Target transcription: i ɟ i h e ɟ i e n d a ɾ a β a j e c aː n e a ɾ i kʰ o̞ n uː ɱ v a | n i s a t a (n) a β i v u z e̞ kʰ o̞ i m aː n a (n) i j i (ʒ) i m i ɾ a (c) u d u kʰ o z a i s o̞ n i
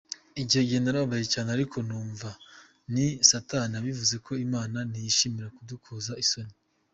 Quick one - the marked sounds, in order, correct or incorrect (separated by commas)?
correct, correct, incorrect, incorrect